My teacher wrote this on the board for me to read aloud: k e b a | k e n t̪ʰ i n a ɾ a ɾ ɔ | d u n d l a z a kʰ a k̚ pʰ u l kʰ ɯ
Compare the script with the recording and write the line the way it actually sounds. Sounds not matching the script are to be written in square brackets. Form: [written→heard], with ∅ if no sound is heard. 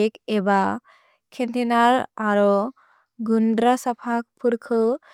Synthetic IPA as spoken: k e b a | [k→kʰ] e n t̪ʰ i n a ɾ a ɾ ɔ | [d→ɡ] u n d [l→ɾ] a [z→s] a [kʰ→pʰ] a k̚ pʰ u [l→ɾ] kʰ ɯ